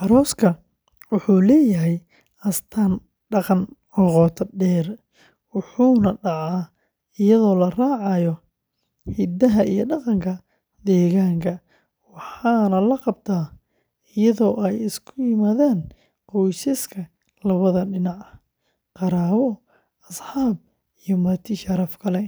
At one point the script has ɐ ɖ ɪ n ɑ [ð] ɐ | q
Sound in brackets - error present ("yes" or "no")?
yes